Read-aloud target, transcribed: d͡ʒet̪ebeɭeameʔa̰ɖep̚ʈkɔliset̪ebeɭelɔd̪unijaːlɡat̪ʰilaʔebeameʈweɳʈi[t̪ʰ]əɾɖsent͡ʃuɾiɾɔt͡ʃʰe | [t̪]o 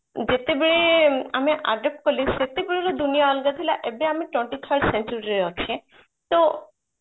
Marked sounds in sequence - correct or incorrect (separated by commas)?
correct, correct